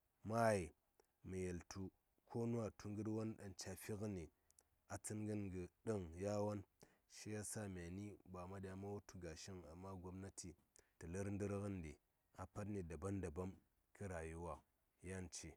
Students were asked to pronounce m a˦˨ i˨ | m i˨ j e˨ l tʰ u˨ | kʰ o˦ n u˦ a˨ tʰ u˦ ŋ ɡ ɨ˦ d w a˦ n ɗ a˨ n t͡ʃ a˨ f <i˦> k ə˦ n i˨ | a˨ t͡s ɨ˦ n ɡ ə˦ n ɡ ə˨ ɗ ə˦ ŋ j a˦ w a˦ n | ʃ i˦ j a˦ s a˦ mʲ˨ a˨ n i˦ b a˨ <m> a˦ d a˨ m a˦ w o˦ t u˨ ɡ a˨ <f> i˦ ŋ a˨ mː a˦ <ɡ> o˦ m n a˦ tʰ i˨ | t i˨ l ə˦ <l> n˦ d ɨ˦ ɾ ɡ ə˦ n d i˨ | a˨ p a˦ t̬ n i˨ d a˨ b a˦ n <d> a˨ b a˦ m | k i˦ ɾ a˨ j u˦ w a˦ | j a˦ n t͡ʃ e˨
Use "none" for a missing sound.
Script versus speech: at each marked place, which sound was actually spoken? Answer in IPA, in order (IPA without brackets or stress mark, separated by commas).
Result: i˦, m, ʃ, ɡ, ɾ, d